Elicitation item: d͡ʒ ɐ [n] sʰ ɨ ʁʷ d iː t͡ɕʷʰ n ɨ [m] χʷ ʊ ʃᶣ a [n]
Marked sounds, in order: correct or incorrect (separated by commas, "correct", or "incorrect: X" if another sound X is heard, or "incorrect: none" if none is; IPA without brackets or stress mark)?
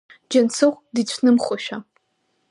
correct, correct, incorrect: none